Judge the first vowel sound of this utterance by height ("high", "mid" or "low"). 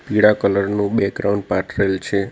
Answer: high